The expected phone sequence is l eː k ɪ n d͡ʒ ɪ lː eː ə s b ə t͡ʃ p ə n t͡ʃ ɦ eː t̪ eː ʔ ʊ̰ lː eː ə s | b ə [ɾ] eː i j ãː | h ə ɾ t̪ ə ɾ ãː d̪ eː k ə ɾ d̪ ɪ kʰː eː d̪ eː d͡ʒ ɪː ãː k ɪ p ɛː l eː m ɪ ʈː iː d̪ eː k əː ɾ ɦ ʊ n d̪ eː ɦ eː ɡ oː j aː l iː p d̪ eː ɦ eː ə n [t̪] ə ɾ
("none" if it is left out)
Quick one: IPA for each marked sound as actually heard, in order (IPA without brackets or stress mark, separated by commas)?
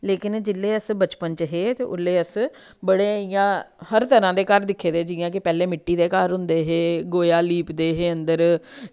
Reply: ɽ, d̪